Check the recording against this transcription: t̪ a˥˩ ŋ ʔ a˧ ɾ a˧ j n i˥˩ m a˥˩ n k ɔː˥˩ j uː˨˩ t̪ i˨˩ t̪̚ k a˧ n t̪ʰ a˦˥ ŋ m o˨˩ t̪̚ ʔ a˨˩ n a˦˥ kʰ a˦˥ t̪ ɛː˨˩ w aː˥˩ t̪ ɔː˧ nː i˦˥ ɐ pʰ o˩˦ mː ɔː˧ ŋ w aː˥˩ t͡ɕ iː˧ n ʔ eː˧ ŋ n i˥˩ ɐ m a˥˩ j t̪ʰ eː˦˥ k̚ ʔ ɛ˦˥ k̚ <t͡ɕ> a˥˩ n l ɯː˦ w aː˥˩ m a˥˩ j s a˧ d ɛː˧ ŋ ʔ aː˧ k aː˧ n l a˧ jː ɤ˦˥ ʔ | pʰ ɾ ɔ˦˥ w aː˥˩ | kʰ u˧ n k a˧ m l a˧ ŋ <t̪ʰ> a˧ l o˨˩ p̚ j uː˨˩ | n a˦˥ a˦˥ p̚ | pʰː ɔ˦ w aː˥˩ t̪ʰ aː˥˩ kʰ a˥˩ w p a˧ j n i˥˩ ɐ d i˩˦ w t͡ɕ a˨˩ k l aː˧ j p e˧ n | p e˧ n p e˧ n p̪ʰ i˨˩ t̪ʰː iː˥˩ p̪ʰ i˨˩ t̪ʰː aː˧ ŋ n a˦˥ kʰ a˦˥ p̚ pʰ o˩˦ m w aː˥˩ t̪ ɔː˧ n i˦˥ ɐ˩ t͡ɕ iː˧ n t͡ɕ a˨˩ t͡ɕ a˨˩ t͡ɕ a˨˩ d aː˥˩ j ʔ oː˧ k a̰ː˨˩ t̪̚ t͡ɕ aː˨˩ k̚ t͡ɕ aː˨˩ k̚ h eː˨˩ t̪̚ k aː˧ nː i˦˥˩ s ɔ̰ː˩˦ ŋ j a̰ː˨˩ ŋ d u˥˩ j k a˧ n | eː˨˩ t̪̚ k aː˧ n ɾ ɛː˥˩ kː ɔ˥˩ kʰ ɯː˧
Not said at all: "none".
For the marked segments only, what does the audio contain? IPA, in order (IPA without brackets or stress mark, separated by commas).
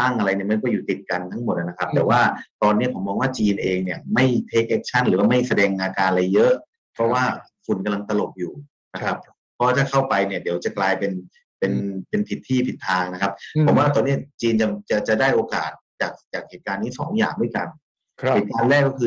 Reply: t͡ɕʰ, t̪